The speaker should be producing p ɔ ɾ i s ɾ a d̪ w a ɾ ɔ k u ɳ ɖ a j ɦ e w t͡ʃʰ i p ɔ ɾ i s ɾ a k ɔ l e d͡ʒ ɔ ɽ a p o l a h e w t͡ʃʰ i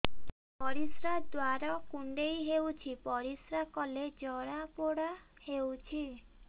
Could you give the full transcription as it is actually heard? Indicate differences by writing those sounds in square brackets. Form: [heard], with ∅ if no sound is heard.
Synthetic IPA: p ɔ ɾ i s ɾ a d̪ w a ɾ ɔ k u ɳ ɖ [e] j ɦ e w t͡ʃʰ i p ɔ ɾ i s ɾ a k ɔ l e d͡ʒ ɔ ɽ a p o [ɽ] a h e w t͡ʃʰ i